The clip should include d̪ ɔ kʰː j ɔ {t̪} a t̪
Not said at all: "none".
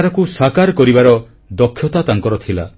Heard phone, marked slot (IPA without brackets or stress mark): t̪